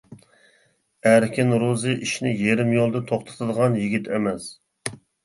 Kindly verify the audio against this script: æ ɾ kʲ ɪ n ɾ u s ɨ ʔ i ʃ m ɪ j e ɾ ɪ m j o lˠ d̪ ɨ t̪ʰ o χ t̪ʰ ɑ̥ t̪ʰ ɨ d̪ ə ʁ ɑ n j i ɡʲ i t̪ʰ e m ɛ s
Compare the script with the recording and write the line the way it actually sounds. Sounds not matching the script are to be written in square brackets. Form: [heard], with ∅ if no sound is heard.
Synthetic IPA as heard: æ ɾ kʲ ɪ n ɾ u [z] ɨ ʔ i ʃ [n] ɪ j e ɾ ɪ m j o lˠ d̪ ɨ t̪ʰ o χ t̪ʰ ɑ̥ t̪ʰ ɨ d̪ ə ʁ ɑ n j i ɡʲ i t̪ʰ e m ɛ s

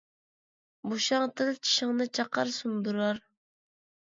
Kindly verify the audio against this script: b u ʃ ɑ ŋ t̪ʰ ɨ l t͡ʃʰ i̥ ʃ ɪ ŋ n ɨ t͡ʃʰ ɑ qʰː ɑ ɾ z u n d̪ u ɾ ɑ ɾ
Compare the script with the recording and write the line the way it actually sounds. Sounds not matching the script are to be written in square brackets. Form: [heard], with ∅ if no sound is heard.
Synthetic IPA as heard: b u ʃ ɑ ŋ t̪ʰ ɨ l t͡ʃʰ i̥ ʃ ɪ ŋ n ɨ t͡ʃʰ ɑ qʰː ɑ ɾ [s] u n d̪ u ɾ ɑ ɾ

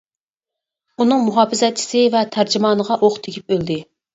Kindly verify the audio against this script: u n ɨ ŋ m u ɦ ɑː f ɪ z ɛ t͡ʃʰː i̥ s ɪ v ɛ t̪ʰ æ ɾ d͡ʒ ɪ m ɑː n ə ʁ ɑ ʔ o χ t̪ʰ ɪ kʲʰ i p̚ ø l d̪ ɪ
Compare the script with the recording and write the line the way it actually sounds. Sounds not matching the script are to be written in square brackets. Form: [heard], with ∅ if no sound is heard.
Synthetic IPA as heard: u n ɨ ŋ m u ɦ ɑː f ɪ z ɛ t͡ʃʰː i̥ s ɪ v ɛ t̪ʰ æ ɾ d͡ʒ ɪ m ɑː n ə ʁ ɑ ʔ o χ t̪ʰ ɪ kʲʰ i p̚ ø l d̪ ɪ

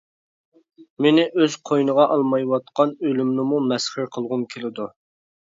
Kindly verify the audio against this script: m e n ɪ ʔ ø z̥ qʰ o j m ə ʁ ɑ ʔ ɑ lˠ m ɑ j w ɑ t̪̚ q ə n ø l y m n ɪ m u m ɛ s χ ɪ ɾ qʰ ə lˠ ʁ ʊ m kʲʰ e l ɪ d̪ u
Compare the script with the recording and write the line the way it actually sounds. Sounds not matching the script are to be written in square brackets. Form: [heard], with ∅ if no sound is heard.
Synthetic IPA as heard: m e n ɪ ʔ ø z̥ qʰ o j [n] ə ʁ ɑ ʔ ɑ lˠ m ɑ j w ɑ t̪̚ q [ɑ] n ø l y m n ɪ m u m ɛ s χ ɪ ɾ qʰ ə lˠ ʁ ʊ m kʲʰ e l ɪ d̪ u

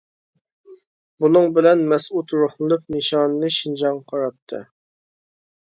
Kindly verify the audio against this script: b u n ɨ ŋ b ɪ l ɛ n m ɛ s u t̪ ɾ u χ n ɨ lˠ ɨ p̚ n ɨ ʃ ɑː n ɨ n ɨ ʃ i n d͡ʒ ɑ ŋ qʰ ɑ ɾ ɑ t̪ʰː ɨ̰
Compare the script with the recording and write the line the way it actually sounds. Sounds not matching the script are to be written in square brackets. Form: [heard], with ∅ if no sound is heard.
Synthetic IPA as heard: b u n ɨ ŋ b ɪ l ɛ n m ɛ s u t̪ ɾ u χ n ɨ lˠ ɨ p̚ n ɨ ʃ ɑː n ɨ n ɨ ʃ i n d͡ʒ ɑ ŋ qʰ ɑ ɾ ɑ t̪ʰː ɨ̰

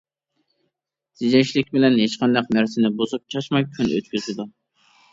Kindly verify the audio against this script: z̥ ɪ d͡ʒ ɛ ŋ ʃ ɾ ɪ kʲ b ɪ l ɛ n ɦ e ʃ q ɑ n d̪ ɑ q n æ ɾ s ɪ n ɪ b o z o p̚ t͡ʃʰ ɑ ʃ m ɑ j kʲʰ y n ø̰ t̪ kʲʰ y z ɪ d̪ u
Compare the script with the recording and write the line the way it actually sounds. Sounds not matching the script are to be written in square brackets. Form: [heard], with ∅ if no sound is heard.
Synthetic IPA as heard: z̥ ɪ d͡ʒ ɛ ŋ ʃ [l] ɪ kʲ b ɪ l ɛ n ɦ e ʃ q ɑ n d̪ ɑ q n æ ɾ s ɪ n ɪ b o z [u] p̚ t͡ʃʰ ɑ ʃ m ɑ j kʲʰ y n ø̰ t̪ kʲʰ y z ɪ d̪ u

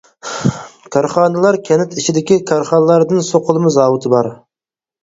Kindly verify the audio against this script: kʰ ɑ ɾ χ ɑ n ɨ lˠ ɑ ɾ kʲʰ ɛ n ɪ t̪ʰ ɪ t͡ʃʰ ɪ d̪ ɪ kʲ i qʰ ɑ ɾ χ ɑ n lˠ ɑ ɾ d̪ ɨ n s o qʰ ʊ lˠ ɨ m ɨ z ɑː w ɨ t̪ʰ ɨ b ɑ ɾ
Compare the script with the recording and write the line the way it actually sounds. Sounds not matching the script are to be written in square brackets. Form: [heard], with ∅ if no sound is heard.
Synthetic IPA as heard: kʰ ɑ ɾ χ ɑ n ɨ lˠ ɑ ɾ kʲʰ ɛ n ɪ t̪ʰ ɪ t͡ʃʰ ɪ d̪ ɪ kʲ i [kʰ] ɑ ɾ χ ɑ n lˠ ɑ ɾ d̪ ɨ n s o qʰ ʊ lˠ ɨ m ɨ z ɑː w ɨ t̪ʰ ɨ b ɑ ɾ

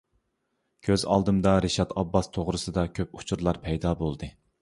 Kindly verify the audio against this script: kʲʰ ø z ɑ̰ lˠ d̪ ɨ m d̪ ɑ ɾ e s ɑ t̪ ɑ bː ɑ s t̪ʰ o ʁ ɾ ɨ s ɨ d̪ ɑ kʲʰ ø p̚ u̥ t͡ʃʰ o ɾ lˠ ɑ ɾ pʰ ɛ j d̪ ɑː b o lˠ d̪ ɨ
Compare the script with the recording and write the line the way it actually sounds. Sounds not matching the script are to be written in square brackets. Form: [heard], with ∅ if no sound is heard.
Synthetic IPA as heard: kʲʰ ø z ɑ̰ lˠ d̪ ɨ m d̪ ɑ ɾ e [ʃ] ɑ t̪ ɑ bː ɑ s t̪ʰ o ʁ ɾ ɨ s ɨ d̪ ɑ kʲʰ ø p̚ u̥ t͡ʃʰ [u] ɾ lˠ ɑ ɾ pʰ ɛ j d̪ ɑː b o lˠ d̪ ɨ

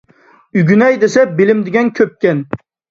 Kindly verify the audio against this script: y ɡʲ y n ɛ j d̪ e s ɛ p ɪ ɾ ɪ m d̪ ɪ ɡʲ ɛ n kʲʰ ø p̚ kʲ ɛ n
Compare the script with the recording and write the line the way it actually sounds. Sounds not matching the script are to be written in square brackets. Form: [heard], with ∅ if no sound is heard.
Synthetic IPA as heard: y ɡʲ y n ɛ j d̪ e s ɛ [b] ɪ [l] ɪ m d̪ ɪ ɡʲ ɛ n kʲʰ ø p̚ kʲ ɛ n

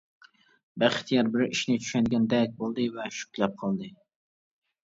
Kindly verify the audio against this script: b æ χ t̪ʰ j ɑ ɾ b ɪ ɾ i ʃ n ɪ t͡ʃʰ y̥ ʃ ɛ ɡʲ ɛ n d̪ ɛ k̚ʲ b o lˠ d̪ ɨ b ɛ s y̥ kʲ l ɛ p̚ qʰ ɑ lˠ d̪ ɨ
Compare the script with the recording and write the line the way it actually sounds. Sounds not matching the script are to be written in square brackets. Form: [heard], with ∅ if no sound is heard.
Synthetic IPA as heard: b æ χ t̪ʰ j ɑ ɾ b ɪ ɾ i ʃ n ɪ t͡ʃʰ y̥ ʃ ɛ ɡʲ ɛ n d̪ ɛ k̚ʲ b o lˠ d̪ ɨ [v] ɛ [ʃ] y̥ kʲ l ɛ p̚ qʰ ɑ lˠ d̪ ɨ

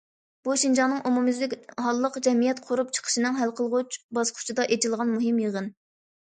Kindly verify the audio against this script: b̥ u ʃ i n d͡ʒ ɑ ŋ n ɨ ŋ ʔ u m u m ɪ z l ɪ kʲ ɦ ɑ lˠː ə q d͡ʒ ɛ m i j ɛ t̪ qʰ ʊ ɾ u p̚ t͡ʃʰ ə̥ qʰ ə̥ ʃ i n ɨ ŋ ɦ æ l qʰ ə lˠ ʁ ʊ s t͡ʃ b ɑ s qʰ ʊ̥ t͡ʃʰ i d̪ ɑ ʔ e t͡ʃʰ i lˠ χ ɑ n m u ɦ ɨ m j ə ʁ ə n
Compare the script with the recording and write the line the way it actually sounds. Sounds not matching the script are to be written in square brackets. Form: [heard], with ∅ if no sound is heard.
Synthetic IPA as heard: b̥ u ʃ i n d͡ʒ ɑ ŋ n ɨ ŋ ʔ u m u m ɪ z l ɪ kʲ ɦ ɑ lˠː ə q d͡ʒ ɛ m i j ɛ t̪ qʰ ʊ ɾ u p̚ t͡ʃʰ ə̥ qʰ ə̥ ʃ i n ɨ ŋ ɦ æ l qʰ ə lˠ ʁ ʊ [∅] t͡ʃ b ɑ s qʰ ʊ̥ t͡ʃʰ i d̪ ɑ ʔ e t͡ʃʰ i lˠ [ʁ] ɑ n m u ɦ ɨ m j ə ʁ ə n

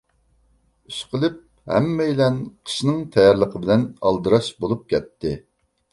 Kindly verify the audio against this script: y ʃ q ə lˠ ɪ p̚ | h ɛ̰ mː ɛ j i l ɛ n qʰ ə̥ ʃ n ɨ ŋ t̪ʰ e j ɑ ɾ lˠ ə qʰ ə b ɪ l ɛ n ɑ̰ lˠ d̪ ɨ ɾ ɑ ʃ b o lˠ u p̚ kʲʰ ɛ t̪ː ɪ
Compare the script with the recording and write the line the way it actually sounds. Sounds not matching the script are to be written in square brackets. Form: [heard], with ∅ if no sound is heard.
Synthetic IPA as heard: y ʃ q ə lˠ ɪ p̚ | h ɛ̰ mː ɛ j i l ɛ n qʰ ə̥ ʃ n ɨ ŋ t̪ʰ [ɛ] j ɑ ɾ lˠ ə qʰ ə b ɪ l ɛ n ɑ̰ lˠ d̪ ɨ ɾ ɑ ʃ b o lˠ u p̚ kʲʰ ɛ t̪ː ɪ

